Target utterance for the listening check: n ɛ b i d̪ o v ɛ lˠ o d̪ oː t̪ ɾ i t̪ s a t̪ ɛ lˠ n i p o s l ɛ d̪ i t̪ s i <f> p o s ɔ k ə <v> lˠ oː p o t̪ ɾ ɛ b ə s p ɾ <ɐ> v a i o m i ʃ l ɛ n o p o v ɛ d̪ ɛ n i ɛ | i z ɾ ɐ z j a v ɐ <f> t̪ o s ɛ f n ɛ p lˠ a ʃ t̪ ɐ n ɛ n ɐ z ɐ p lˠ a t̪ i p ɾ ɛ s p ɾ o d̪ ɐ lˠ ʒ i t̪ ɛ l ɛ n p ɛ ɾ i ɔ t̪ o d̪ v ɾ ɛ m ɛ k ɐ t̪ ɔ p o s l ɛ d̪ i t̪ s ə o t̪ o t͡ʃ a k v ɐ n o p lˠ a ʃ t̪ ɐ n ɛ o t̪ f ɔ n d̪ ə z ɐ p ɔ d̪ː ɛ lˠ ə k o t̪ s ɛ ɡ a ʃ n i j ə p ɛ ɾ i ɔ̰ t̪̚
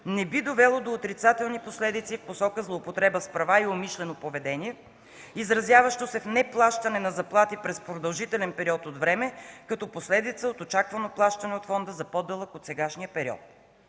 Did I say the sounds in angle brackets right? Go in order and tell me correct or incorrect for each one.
correct, incorrect, correct, incorrect

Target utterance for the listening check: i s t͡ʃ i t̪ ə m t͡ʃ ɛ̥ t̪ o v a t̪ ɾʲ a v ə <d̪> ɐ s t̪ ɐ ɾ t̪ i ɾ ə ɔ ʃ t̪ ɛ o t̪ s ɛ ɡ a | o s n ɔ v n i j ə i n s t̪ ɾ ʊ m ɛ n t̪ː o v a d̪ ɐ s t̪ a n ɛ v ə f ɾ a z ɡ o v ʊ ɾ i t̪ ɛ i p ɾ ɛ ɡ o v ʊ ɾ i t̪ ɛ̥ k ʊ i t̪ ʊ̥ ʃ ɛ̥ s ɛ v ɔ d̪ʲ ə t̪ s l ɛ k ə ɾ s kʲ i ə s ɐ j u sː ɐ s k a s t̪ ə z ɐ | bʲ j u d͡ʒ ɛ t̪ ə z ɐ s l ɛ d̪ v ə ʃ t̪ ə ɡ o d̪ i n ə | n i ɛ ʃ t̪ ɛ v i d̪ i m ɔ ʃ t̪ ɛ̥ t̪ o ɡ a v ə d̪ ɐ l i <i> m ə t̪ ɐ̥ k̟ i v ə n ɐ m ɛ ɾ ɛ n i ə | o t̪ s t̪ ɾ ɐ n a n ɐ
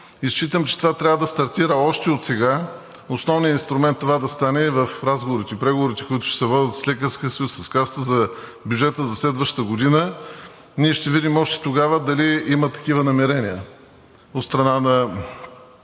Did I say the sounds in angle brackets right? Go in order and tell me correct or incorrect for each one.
correct, correct

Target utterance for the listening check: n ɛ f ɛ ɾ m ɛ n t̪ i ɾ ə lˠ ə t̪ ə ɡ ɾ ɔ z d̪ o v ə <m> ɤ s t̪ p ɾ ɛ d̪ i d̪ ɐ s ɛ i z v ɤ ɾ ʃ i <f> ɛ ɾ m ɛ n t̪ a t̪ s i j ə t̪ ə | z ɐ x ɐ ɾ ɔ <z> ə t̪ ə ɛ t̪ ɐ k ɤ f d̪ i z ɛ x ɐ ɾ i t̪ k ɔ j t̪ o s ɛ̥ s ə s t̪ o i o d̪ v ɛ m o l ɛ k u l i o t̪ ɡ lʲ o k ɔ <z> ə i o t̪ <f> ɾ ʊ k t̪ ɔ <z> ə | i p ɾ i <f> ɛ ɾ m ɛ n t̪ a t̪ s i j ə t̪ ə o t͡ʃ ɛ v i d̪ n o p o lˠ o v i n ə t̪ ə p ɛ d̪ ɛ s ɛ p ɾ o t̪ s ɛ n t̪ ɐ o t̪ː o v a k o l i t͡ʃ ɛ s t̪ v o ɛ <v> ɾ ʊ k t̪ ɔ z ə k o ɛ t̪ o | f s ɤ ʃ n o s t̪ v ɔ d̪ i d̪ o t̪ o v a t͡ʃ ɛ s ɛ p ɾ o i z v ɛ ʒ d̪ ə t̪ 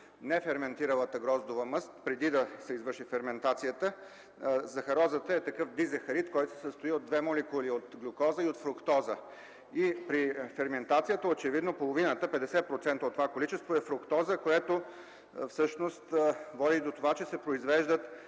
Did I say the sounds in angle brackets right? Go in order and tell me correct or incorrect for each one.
correct, correct, correct, correct, correct, correct, correct, incorrect

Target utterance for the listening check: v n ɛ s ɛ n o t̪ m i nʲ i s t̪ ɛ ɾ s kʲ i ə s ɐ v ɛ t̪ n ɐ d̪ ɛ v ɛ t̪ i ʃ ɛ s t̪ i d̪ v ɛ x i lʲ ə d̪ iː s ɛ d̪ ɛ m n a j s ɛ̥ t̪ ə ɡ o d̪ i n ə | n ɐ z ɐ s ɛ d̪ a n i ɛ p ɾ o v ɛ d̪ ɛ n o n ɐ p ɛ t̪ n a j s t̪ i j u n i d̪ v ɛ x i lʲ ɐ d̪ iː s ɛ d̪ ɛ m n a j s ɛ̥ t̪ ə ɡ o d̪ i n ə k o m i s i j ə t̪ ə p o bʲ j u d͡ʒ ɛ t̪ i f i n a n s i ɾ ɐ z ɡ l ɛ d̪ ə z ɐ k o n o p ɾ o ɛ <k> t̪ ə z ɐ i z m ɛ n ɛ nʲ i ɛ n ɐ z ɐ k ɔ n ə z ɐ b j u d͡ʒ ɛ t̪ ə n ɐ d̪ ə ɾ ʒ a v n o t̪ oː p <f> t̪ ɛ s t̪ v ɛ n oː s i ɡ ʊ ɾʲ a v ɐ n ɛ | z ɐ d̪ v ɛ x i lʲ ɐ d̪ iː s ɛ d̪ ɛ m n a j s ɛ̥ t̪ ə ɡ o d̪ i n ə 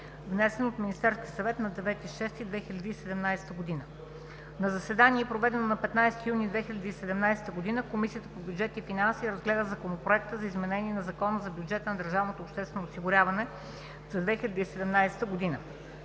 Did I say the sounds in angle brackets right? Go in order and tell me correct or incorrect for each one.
correct, incorrect

